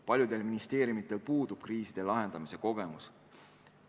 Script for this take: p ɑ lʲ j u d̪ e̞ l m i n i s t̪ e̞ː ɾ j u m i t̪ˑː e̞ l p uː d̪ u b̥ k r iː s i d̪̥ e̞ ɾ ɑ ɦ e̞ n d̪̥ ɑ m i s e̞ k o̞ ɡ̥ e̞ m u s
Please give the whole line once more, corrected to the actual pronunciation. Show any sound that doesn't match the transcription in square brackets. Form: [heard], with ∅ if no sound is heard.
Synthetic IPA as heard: p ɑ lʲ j u d̪ e̞ l m i n i s t̪ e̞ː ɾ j u m i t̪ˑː e̞ l p uː d̪ u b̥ k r iː s i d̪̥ e̞ [l] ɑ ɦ e̞ n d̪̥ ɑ m i s e̞ k o̞ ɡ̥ e̞ m u s